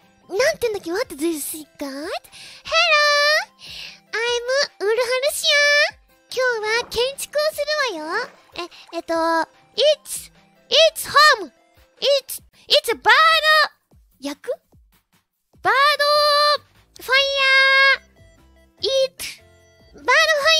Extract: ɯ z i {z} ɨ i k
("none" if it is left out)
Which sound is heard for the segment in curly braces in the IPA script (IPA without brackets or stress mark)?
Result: s